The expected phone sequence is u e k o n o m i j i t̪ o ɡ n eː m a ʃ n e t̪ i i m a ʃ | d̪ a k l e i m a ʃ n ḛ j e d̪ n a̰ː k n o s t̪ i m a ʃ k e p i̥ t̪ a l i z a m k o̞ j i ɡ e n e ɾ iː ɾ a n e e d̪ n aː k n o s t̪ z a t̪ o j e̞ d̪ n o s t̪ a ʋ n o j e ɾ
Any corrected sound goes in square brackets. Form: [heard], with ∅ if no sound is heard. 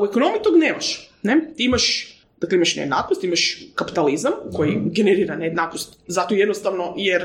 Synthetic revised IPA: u e k o n o m i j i t̪ o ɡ n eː m a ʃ n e t̪ i i m a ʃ | d̪ a k l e i m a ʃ n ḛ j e d̪ n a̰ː k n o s t̪ i m a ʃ k [a] p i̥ t̪ a l i z a m k o̞ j i ɡ e n e ɾ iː ɾ a n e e d̪ n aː k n o s t̪ z a t̪ o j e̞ d̪ n o s t̪ a ʋ n o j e ɾ